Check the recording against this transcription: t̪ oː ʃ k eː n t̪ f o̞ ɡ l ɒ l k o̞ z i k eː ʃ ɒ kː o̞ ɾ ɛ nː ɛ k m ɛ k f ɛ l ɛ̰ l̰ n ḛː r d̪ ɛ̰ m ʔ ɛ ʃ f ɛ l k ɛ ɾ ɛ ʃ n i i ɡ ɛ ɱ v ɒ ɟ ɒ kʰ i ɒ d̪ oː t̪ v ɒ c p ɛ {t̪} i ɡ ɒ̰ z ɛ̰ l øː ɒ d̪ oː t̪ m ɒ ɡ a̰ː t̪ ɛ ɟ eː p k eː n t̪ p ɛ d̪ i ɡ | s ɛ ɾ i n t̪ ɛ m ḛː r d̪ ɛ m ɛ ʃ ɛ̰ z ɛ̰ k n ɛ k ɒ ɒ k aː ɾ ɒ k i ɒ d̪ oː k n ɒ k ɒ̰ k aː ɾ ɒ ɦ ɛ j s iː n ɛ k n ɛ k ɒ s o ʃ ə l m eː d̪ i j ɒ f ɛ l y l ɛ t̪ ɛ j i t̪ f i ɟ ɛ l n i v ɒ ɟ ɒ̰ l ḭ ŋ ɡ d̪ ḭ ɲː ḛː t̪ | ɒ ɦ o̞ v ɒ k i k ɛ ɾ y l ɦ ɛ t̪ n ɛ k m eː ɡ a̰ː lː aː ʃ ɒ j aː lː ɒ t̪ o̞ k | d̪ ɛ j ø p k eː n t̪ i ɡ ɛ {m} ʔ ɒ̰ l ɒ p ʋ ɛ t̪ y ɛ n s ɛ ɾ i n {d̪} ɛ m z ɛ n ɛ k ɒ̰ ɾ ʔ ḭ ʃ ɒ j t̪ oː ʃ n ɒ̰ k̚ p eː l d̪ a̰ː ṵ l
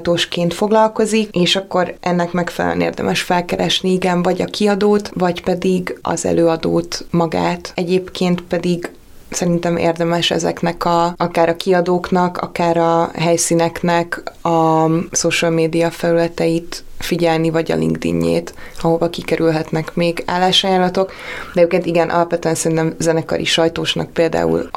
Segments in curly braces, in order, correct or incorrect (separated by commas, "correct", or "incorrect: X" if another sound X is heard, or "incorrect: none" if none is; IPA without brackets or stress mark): incorrect: d̪, incorrect: n, incorrect: t̪